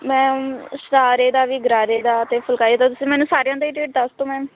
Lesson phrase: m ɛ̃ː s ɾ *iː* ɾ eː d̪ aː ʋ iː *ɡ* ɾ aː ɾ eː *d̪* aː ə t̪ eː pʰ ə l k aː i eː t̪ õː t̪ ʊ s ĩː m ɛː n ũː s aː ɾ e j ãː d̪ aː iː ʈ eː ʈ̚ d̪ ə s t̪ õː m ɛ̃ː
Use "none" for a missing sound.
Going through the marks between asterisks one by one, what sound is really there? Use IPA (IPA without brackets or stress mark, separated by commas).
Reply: aː, ɡ, d̪